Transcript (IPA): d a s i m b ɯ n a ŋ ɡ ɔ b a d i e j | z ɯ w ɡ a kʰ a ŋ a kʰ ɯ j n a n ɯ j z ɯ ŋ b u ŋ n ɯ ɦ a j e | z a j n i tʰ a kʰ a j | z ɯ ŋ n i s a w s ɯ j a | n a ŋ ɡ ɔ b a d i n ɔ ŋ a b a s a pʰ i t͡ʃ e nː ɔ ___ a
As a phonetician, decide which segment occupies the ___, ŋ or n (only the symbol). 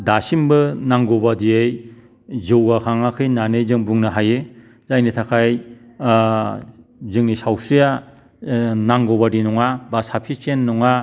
ŋ